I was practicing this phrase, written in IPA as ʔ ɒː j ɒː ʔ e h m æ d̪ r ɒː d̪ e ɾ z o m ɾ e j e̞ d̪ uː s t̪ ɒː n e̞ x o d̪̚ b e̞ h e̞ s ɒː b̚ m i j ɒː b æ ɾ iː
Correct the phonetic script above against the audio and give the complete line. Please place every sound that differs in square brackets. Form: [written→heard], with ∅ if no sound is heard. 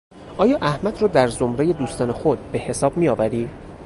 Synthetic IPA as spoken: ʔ ɒː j ɒː ʔ [e→æ] h m æ d̪ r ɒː d̪ [e→æ] ɾ z o m ɾ e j e̞ d̪ uː s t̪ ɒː n e̞ x o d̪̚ b e̞ h e̞ s ɒː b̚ m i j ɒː [b→v] æ ɾ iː